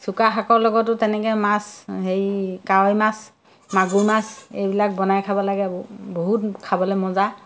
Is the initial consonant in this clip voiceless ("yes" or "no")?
yes